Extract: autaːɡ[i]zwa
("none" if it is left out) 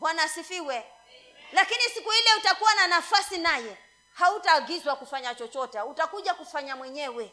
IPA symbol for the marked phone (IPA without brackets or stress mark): i